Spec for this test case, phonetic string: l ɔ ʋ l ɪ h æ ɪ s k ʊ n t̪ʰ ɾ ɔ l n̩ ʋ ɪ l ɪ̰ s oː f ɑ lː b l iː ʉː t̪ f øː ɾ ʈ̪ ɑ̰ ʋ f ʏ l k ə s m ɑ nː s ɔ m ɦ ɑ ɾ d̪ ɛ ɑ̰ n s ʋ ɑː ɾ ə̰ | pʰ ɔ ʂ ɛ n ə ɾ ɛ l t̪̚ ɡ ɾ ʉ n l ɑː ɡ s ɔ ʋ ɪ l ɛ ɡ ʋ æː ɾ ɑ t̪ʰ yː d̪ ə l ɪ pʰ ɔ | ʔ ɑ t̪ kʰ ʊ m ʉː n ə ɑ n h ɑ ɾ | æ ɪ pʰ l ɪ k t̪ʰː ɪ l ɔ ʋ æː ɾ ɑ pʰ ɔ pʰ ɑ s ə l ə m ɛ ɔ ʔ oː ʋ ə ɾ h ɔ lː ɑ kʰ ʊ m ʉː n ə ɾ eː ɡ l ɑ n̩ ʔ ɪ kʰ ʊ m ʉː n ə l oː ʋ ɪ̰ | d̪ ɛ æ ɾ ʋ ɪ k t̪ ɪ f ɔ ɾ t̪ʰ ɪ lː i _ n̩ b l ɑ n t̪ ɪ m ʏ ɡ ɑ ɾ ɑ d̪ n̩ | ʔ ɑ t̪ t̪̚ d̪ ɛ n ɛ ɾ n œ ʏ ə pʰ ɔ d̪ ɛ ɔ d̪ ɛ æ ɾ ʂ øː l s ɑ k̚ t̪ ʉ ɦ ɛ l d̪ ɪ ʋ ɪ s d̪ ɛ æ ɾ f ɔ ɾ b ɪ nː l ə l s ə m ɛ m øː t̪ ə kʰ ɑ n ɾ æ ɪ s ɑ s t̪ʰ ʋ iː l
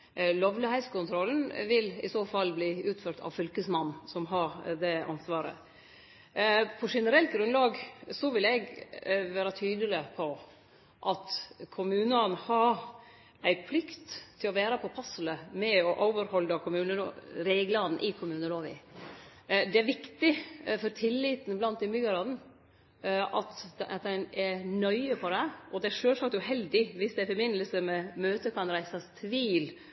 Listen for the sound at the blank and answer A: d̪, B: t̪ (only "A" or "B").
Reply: B